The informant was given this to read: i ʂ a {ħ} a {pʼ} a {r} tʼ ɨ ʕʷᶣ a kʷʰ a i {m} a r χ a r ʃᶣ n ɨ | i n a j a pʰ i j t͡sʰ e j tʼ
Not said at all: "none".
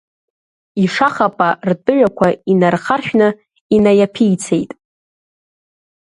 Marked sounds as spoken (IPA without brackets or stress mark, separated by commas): χ, pʼ, r, n